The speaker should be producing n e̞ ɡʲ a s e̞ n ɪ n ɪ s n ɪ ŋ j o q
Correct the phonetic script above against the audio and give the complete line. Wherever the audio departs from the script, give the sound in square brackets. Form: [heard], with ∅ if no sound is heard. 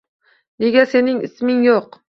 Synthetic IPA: n e̞ ɡʲ a s e̞ n ɪ [ŋ] ɪ s [m] ɪ ŋ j o q